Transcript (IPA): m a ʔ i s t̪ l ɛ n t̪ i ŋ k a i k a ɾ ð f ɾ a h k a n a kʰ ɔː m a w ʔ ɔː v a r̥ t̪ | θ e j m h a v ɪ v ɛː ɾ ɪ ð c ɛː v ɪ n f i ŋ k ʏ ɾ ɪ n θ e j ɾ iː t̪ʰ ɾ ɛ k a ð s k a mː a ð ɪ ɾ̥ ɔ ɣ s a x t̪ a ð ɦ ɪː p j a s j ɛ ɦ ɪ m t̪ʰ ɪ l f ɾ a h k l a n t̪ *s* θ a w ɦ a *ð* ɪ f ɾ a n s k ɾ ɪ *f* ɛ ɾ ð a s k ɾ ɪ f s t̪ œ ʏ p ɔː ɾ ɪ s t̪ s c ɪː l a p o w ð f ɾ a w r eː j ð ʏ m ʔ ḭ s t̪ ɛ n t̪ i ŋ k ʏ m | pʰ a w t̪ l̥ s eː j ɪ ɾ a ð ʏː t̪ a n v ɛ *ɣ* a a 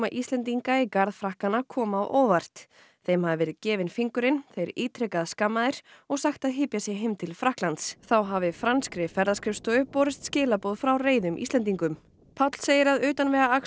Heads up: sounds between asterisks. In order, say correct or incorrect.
correct, incorrect: v, correct, correct

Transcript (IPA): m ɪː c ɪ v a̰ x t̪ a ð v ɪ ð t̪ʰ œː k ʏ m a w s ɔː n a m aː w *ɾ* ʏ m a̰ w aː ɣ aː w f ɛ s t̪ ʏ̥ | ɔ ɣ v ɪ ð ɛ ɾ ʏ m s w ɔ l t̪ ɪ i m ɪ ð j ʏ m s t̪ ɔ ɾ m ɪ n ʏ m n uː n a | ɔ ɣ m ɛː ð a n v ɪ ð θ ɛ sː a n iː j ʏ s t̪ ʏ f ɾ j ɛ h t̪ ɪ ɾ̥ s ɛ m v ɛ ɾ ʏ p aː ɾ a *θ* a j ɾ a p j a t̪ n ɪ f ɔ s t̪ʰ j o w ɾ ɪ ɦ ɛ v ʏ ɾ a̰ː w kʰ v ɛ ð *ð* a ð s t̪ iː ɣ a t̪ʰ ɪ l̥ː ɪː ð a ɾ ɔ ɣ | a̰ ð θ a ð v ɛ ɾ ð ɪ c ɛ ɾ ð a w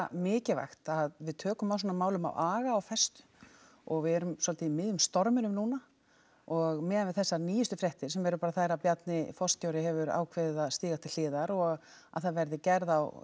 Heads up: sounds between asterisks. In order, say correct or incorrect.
incorrect: l, correct, correct

